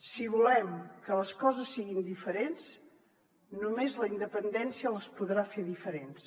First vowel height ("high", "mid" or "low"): high